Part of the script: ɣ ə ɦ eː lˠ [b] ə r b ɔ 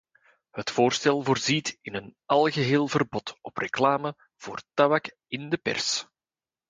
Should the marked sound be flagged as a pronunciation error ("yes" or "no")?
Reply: yes